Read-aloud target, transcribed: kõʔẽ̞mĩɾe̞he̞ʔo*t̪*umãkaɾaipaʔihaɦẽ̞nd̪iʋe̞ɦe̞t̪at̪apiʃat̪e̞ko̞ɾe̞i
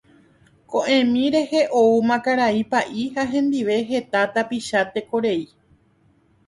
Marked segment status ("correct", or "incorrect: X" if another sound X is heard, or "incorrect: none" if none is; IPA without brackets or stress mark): incorrect: none